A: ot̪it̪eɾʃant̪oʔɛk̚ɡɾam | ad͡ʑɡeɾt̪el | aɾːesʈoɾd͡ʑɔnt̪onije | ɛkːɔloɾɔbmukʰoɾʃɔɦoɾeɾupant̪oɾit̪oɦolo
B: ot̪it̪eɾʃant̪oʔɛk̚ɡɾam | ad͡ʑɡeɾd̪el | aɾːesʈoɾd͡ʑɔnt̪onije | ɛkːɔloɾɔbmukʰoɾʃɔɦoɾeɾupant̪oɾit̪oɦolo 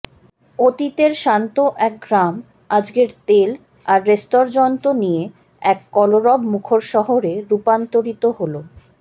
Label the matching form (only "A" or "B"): A